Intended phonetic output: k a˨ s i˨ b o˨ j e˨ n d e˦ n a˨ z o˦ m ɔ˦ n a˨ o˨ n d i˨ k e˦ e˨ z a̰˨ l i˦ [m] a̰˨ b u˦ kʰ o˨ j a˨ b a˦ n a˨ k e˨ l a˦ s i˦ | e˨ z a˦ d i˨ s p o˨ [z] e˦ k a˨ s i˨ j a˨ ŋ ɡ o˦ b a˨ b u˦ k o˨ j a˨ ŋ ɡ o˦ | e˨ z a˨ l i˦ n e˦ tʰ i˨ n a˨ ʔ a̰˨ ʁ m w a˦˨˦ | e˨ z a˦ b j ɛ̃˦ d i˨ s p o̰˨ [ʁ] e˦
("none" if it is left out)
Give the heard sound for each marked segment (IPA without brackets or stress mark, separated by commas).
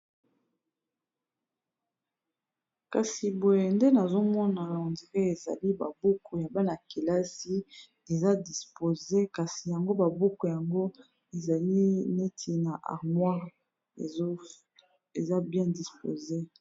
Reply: b, z, z